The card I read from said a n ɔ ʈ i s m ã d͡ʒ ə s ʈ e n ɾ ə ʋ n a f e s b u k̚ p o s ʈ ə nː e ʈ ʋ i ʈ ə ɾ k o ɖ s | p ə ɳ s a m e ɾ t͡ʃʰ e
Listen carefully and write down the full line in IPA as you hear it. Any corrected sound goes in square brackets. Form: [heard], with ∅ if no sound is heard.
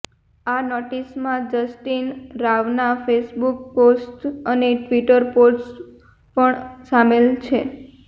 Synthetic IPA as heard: a n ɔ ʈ i s m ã d͡ʒ ə s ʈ [i] n ɾ [a] ʋ n a f e s b u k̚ p o s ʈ ə [n] e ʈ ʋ i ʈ ə ɾ [p] o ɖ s | p ə ɳ s a m e [l] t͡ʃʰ e

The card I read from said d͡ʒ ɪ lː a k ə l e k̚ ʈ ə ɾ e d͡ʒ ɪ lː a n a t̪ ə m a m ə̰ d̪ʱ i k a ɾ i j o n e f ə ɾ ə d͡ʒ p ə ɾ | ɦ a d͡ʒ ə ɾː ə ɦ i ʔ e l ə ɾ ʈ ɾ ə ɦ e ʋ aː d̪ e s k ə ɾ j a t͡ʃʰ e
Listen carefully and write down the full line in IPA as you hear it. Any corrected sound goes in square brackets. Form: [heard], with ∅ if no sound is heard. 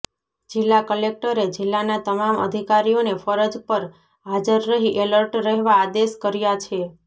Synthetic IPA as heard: d͡ʒ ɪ lː a k ə l e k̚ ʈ ə ɾ e d͡ʒ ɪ lː a n a t̪ ə m a m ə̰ d̪ʱ i k a ɾ i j o n e f ə ɾ ə d͡ʒ p ə ɾ | ɦ a d͡ʒ ə ɾː ə ɦ i ʔ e l ə ɾ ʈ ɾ ə ɦ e ʋ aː d̪ e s k ə ɾ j a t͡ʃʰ e

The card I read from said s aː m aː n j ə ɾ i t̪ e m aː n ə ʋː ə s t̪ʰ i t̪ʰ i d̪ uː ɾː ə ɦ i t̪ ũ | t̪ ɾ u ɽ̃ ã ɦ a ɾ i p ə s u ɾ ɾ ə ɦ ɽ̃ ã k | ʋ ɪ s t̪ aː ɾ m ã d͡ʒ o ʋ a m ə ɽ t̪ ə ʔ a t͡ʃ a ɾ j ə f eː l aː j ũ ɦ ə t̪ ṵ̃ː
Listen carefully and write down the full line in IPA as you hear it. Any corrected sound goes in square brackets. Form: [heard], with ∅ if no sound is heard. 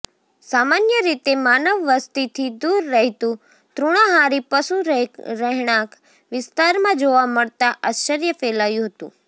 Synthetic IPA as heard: s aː m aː n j ə ɾ i t̪ e m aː n ə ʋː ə s [t̪] i t̪ʰ i d̪ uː ɾː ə ɦ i t̪ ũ | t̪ ɾ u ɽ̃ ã ɦ a ɾ i p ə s u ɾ ɾ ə ɦ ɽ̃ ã k | ʋ ɪ s t̪ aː ɾ m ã d͡ʒ o ʋ a m ə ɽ t̪ [a] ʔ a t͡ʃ [ə] ɾ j ə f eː l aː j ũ ɦ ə t̪ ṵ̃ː

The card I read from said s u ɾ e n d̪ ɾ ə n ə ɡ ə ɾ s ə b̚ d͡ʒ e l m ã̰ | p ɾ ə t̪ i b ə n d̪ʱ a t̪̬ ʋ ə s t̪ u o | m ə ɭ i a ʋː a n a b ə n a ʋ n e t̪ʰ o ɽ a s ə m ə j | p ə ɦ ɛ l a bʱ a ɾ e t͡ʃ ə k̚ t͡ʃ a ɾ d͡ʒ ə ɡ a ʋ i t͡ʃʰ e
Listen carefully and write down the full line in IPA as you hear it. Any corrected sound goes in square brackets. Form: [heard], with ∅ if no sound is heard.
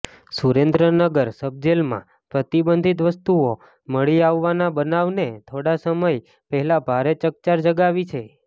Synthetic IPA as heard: s u ɾ e n d̪ ɾ ə n ə ɡ ə ɾ s ə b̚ d͡ʒ e l m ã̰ | p ɾ ə t̪ i b ə n d̪ʱ [i] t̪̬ ʋ ə s t̪ u o | m ə ɭ i a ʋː a n a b ə n a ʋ n e t̪ʰ o ɽ a s ə m ə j | p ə ɦ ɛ l a bʱ a ɾ e t͡ʃ ə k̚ t͡ʃ a ɾ d͡ʒ ə ɡ a ʋ i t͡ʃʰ e

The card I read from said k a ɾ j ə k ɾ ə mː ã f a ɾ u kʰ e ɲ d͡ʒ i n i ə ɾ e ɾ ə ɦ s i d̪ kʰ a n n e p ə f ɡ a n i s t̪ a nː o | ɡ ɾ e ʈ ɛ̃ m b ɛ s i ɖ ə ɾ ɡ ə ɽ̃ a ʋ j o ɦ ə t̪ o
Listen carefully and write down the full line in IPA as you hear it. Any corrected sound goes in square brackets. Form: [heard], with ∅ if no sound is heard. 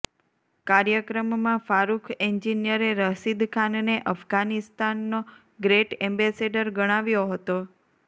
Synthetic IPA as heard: k a ɾ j ə k ɾ ə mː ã f a ɾ u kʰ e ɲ d͡ʒ i n [j] ə ɾ e ɾ ə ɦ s i d̪ kʰ a n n e [ʔ] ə f ɡ a n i s t̪ a nː o | ɡ ɾ e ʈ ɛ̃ m b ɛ s [e] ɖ ə ɾ ɡ ə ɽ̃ a ʋ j o ɦ ə t̪ o

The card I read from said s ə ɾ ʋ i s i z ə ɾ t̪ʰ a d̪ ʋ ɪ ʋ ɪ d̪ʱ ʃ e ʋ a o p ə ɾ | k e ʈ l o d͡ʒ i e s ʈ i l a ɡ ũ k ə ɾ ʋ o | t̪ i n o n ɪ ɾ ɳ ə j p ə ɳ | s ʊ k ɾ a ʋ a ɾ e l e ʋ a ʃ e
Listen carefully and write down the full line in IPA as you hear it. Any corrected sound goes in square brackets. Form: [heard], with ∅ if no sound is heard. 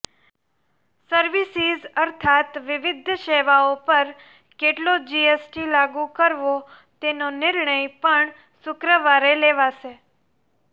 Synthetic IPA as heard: s ə ɾ ʋ i s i z ə ɾ t̪ʰ a [t̪] ʋ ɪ ʋ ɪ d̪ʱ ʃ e ʋ a o p ə ɾ | k e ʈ l o d͡ʒ i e s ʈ i l a ɡ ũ k ə ɾ ʋ o | t̪ [e] n o n ɪ ɾ ɳ ə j p ə ɳ | s ʊ k ɾ [ə] ʋ a ɾ e l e ʋ a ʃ e

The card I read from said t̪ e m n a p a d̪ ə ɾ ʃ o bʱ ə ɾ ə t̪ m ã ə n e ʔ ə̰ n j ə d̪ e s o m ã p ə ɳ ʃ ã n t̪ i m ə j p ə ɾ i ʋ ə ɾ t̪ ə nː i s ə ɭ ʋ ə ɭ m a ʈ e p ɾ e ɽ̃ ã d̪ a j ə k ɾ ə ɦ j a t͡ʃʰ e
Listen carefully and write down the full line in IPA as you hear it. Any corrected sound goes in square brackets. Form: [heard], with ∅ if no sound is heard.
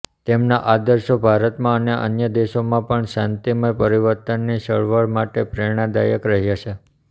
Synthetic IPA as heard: t̪ e m n a [ʔ] a d̪ ə ɾ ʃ o bʱ [a] ɾ ə t̪ m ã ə n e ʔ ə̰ n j ə d̪ e [ʃ] o m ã p ə ɳ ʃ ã n t̪ i m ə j p ə ɾ i ʋ ə ɾ t̪ ə nː i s ə ɭ ʋ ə ɭ m a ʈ e p ɾ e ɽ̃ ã d̪ a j ə k ɾ ə ɦ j a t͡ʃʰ e

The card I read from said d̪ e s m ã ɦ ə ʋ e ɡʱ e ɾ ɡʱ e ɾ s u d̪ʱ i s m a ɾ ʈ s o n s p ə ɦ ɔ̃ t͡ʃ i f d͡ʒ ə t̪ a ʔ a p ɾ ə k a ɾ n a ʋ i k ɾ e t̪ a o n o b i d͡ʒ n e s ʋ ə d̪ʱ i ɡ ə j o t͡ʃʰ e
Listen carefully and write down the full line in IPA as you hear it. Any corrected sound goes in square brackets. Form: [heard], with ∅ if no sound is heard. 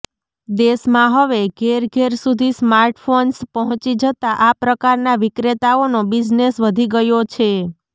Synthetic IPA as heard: d̪ e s m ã ɦ ə ʋ e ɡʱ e ɾ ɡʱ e ɾ s u d̪ʱ i s m a ɾ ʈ [f] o n s p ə ɦ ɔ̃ t͡ʃ i [∅] d͡ʒ ə t̪ a ʔ a p ɾ ə k a ɾ n a ʋ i k ɾ e t̪ a o n o b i d͡ʒ n e s ʋ ə d̪ʱ i ɡ ə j o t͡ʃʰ e

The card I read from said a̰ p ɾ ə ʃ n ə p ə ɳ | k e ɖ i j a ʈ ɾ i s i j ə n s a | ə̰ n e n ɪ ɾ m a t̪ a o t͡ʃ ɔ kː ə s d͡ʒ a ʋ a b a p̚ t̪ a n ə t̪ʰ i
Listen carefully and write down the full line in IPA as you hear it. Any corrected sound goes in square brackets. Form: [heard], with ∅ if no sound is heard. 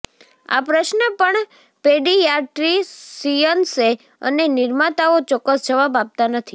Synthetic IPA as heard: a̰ p ɾ ə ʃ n ə p ə ɳ | [p] e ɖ i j a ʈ ɾ i s i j ə n s [e] | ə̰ n e n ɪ ɾ m a t̪ a o t͡ʃ ɔ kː ə s d͡ʒ [ə] ʋ a b a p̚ t̪ a n ə t̪ʰ i

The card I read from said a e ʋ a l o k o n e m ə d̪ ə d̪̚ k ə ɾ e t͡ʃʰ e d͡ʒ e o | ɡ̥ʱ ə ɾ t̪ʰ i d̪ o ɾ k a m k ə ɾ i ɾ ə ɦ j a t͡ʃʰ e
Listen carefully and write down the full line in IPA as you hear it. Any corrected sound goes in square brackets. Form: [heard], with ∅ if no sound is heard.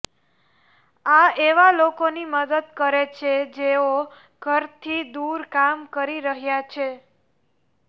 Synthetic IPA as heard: a e ʋ a l o k o n [i] m ə d̪ ə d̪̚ k ə ɾ e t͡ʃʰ e d͡ʒ e o | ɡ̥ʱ ə ɾ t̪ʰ i d̪ [u] ɾ k a m k ə ɾ i ɾ ə ɦ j a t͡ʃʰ e

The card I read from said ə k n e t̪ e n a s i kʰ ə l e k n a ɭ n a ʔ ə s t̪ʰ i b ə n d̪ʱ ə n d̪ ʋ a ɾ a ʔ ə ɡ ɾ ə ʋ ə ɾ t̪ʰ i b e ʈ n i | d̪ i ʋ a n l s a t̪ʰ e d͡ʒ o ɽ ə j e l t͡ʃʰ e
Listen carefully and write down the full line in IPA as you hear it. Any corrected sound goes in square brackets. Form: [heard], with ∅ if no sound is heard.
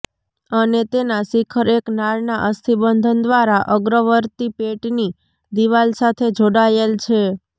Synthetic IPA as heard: ə [∅] n e t̪ e n a s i kʰ ə [ɾ] e k n a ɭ n a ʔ ə s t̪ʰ i b ə n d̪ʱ ə n d̪ ʋ a ɾ a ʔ ə ɡ ɾ ə ʋ ə ɾ [t̪] i [p] e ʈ n i | d̪ i ʋ a [∅] l s a t̪ʰ e d͡ʒ o ɽ [a] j e l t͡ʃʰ e

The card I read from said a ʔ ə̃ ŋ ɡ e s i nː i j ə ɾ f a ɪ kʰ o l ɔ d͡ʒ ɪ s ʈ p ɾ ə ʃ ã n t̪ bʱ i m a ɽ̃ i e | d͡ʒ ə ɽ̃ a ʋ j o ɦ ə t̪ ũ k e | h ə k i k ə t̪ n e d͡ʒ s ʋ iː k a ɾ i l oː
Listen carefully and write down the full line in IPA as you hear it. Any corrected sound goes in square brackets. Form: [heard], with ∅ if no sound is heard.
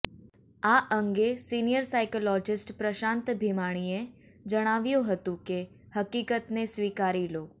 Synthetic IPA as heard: a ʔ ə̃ ŋ ɡ e s i [n] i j ə ɾ [s] a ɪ [k] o l ɔ d͡ʒ ɪ s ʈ p ɾ ə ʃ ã n t̪ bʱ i m a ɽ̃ i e | d͡ʒ ə ɽ̃ a ʋ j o ɦ ə t̪ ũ k e | h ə k i k ə t̪ n e [∅] s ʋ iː k a ɾ i l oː

